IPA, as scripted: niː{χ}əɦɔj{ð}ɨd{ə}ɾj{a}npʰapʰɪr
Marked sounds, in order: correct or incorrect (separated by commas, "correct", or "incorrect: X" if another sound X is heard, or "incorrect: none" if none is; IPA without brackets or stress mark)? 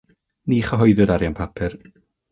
correct, correct, incorrect: a, correct